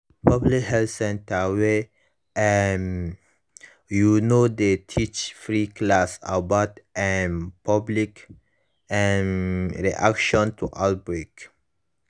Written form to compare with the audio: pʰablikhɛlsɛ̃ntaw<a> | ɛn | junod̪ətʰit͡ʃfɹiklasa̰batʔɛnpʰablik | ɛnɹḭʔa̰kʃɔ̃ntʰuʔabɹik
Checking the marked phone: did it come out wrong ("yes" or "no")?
yes